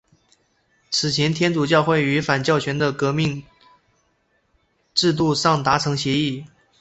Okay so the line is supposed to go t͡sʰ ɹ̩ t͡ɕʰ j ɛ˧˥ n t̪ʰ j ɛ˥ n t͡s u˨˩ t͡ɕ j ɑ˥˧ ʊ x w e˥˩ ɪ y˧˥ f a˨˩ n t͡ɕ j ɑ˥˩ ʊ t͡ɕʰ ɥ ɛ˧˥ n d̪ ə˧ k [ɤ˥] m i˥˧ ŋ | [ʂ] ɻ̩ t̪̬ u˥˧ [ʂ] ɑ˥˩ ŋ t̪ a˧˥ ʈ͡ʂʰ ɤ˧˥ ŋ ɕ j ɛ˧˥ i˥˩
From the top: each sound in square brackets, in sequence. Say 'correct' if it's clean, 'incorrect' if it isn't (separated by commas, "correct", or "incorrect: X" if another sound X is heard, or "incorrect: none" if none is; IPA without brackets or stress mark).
incorrect: ɤ˧˥, incorrect: ʈ͡ʂ, correct